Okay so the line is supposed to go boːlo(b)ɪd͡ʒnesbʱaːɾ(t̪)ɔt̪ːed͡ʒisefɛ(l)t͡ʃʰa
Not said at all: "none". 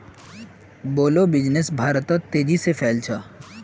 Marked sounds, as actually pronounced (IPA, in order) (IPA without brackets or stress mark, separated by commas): b, t̪, l